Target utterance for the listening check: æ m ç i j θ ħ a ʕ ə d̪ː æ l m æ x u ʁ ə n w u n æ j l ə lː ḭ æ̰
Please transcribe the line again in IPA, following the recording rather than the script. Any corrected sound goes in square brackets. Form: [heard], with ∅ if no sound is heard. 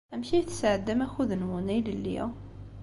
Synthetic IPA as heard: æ m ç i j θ [s] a ʕ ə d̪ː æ [∅] m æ x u [ð] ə n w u n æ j l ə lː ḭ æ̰